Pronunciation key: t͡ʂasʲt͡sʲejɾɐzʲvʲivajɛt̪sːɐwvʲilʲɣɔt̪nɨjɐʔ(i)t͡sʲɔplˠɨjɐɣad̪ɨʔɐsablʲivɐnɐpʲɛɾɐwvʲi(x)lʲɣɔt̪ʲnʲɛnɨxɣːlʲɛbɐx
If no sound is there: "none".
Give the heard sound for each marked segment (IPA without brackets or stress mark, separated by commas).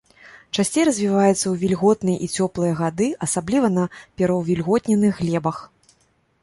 i, none